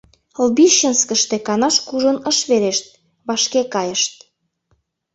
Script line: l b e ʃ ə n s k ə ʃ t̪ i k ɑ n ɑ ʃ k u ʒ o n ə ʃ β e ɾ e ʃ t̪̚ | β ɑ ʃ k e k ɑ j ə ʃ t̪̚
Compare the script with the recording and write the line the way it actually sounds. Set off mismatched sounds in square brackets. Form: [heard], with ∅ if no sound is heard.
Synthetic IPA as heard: l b [i] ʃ ə n s k ə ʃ t̪ [e] k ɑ n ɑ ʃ k u ʒ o n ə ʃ β e ɾ e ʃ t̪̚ | β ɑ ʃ k e k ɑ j ə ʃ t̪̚